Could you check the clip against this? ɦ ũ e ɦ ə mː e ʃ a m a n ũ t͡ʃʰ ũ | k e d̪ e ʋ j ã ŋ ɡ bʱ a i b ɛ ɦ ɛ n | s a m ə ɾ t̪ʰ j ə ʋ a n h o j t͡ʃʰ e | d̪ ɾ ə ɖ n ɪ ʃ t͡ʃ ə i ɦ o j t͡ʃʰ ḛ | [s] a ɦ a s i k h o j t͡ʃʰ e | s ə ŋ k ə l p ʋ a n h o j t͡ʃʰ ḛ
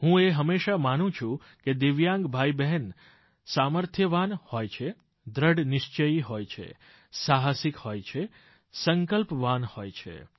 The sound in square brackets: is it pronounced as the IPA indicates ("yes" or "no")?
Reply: yes